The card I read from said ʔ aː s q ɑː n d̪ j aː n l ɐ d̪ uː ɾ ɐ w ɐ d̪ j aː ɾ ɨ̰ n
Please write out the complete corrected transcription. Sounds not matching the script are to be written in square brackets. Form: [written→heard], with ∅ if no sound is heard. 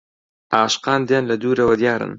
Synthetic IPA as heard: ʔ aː [s→ʃ] q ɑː n d̪ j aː n l ɐ d̪ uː ɾ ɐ w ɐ d̪ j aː ɾ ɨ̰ n